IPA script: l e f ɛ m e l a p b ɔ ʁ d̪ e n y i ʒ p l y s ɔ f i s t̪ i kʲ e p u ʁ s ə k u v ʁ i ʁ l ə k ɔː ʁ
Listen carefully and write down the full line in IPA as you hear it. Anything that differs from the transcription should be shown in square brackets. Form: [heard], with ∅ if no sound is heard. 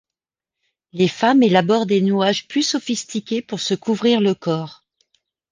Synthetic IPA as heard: l e f [a] m e l a [∅] b ɔ ʁ d̪ e n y [a] ʒ p l y s ɔ f i s t̪ i kʲ e p u ʁ s ə k u v ʁ i ʁ l ə k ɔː ʁ